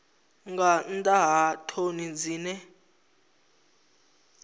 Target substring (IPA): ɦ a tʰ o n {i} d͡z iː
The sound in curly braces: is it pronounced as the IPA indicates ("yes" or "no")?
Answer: yes